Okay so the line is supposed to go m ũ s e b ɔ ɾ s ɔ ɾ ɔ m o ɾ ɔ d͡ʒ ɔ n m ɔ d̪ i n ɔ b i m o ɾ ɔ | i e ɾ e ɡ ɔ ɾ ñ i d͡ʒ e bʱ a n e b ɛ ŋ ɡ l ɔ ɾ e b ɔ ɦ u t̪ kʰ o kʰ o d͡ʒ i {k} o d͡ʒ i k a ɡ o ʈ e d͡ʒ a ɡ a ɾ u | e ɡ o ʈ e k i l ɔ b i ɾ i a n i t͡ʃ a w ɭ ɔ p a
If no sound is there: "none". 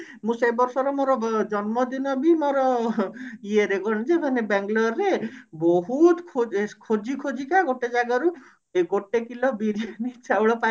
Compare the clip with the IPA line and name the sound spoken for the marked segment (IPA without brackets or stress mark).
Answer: kʰ